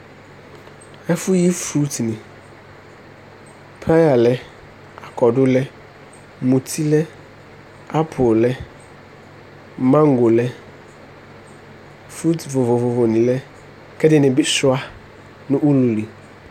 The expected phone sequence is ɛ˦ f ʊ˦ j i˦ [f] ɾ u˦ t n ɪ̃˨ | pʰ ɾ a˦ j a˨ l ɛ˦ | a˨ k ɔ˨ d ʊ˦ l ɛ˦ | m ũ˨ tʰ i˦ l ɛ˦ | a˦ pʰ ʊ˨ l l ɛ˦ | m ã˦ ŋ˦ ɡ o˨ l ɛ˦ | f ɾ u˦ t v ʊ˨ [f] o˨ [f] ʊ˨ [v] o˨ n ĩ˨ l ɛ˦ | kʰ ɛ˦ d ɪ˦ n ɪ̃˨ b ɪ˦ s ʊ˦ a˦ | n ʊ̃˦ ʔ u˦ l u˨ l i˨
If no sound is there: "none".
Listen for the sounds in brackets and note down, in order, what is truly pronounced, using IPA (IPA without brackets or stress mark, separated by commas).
f, v, v, v